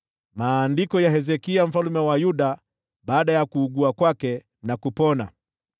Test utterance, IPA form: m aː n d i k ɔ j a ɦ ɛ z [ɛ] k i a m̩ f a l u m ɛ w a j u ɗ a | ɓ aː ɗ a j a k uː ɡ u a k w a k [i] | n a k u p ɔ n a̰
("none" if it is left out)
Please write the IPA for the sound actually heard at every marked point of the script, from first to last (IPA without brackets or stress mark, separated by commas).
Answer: ɛ, ɛ